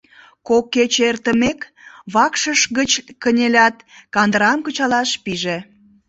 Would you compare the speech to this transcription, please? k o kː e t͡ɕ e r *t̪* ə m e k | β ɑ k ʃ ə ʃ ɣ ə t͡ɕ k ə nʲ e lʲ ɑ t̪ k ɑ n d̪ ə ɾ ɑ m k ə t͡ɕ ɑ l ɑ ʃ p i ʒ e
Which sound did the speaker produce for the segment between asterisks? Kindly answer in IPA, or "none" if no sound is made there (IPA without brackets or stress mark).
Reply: t̪